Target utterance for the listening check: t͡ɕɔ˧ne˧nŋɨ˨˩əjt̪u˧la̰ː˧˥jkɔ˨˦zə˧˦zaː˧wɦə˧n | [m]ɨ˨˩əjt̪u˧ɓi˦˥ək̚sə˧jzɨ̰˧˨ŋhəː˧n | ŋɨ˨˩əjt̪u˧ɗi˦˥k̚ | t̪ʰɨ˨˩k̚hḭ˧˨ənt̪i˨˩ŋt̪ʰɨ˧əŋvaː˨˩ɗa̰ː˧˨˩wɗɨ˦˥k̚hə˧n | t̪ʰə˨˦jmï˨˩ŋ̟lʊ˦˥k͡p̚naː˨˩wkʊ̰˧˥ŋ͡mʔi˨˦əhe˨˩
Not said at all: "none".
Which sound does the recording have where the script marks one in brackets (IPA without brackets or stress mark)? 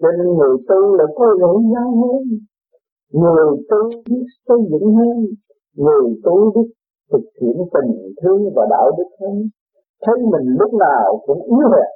ŋ